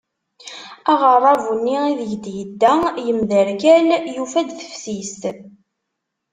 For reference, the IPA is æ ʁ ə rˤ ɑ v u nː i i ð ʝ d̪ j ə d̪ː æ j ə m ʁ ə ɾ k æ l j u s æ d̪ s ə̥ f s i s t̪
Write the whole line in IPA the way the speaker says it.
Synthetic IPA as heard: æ ʁ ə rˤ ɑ v u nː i i ð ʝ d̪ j ə d̪ː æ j ə m ð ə ɾ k æ l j u f æ d̪ θ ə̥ f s i s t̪